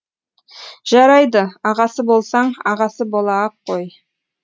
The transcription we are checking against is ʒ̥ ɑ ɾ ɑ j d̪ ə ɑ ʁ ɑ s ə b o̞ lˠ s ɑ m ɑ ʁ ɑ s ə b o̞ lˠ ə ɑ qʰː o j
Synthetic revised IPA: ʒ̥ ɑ ɾ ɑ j d̪ ə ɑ ʁ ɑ s ə b o̞ lˠ s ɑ ɴ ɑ ʁ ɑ s ə b o̞ lˠ ɑ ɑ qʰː o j